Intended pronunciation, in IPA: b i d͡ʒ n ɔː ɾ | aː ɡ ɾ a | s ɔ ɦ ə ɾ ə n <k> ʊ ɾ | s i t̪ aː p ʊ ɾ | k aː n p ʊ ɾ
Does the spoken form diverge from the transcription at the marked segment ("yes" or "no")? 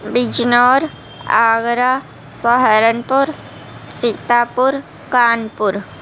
yes